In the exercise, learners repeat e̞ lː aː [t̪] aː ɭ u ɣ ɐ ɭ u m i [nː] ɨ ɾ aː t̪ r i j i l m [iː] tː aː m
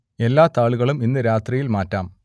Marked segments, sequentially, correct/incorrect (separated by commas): correct, correct, incorrect